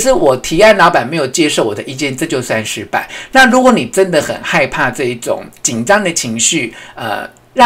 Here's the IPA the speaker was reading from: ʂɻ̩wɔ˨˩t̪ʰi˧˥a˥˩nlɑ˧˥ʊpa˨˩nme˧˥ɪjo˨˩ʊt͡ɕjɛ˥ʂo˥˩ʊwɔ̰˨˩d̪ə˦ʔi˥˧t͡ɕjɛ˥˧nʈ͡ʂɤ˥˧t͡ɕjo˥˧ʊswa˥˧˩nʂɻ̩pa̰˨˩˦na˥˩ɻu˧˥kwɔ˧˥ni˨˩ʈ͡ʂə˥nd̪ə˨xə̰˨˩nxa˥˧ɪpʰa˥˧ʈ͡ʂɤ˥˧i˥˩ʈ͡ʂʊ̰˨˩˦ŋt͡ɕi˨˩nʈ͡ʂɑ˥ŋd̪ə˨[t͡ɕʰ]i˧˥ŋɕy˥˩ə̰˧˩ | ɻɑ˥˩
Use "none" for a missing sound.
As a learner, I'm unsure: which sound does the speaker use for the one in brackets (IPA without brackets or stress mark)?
t͡ɕʰ